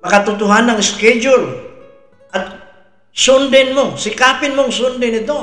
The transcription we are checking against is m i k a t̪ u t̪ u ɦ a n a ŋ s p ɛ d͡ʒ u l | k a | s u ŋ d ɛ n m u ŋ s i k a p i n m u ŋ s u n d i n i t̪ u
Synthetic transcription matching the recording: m a k a t̪ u t̪ u ɦ a n a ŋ s k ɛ d͡ʒ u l | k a | s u n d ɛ n m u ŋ s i k a p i n m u ŋ s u n d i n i t̪ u